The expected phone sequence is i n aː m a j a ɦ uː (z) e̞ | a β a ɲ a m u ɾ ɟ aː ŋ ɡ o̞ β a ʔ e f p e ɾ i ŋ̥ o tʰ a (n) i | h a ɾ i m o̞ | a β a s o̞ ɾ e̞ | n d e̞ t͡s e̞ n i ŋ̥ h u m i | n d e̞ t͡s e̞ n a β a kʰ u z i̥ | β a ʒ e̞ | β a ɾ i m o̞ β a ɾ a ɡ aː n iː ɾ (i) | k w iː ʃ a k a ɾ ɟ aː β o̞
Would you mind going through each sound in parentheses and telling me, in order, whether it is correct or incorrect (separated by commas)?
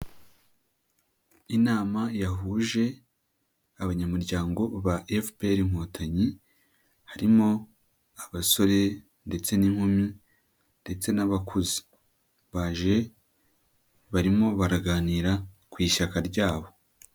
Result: incorrect, incorrect, incorrect